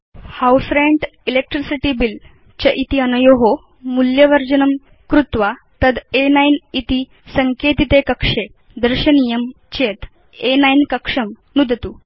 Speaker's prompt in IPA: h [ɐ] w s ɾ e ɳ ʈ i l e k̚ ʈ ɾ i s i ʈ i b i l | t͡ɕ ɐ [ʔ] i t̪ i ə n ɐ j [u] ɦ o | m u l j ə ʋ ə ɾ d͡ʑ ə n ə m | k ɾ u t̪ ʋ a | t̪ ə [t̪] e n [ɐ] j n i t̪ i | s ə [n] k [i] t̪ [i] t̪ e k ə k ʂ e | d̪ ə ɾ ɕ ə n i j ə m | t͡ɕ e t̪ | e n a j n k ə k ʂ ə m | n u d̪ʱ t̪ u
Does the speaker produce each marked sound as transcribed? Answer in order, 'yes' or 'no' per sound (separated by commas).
no, yes, no, no, no, no, no, yes